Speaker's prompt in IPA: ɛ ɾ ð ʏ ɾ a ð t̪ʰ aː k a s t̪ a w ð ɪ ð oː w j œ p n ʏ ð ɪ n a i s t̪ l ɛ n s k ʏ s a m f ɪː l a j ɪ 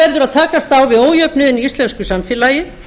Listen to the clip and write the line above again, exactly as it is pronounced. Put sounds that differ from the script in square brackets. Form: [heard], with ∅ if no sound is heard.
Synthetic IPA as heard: ɛ ɾ ð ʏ ɾ a ð t̪ʰ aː k a s t̪ a w [v] ɪ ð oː w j œ p n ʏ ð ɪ n [i] i s t̪ l ɛ n s k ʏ s a m f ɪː l a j ɪ